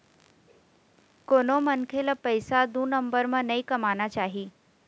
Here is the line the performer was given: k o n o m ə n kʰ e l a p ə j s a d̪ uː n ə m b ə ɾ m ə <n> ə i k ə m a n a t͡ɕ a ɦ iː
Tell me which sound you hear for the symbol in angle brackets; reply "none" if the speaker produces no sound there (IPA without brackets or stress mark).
n